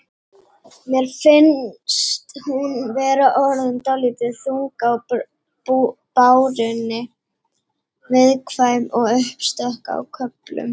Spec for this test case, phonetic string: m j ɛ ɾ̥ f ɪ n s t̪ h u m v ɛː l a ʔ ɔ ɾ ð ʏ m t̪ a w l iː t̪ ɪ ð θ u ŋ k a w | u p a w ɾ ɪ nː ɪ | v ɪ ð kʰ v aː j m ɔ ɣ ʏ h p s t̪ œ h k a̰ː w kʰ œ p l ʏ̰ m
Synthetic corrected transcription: m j ɛ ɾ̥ f ɪ n s t̪ h u n v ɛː ɾ a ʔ ɔ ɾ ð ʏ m t̪ a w l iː t̪ ɪ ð θ u ŋ k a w | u p a w ɾ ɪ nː ɪ | v ɪ ð kʰ v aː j m ɔ ɣ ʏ h p s t̪ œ h k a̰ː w kʰ œ p l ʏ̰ m